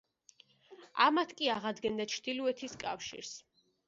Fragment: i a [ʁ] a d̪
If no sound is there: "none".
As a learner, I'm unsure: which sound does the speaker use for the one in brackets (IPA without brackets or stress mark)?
ʁ